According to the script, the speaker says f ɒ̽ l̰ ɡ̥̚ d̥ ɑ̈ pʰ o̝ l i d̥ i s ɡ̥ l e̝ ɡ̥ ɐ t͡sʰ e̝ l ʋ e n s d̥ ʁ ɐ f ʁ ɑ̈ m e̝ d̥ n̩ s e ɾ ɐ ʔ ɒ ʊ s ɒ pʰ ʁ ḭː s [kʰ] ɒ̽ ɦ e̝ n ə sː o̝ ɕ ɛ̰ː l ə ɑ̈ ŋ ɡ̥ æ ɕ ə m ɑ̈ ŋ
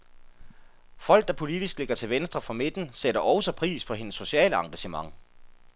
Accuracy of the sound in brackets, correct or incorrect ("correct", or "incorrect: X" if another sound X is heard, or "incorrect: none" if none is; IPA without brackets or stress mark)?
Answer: incorrect: pʰ